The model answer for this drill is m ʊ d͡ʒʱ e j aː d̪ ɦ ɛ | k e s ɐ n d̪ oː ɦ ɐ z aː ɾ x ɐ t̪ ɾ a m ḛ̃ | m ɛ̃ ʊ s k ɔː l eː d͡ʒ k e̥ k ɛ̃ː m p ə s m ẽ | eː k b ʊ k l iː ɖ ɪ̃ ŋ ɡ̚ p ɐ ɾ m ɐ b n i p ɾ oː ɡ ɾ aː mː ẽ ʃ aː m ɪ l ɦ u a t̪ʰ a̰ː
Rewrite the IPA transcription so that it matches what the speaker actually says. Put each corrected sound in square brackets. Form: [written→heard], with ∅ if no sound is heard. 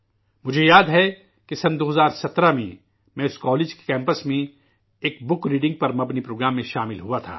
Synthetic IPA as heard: m ʊ d͡ʒʱ e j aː d̪ ɦ ɛ | k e s ɐ n d̪ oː ɦ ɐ z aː ɾ [x→s] ɐ t̪ ɾ a m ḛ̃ | m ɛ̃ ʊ s k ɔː l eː d͡ʒ k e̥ k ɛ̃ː m p ə s m ẽ | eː k b ʊ k [l→ɾ] iː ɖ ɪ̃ ŋ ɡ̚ p ɐ ɾ m ɐ b n i p ɾ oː ɡ ɾ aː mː ẽ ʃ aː m ɪ l ɦ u a t̪ʰ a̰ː